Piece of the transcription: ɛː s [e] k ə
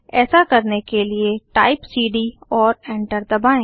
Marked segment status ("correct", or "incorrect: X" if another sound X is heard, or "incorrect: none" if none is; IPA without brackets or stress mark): incorrect: a